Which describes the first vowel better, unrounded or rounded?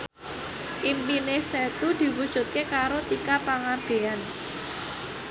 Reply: unrounded